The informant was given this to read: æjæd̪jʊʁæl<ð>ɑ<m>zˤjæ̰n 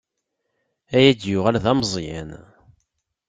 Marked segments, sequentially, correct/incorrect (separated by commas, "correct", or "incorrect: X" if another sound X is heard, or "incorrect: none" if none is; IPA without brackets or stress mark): correct, correct